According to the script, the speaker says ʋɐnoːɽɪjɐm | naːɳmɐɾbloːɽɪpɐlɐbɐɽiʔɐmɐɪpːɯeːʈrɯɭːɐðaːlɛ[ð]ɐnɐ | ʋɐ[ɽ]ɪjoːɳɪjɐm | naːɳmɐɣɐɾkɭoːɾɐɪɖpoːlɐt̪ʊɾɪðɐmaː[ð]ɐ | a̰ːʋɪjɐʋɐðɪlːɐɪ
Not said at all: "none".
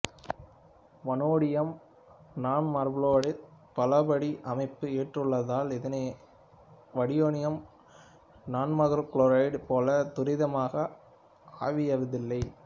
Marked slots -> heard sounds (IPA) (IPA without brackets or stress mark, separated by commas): ð, ɽ, ɣ